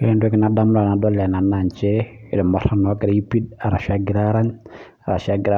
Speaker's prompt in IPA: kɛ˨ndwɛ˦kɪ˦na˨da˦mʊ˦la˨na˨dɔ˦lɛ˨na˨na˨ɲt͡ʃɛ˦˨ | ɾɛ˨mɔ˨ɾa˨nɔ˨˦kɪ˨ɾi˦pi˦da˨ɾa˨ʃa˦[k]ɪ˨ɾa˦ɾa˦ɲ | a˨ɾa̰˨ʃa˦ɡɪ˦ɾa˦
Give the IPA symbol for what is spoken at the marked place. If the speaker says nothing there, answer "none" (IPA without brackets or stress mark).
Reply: ɡ